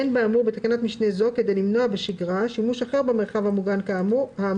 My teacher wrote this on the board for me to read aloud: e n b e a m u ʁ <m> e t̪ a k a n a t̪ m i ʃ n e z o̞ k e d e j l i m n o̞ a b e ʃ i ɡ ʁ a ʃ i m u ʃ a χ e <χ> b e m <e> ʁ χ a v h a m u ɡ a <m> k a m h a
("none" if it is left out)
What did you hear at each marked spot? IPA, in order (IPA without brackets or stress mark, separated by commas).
b, ʁ, e, n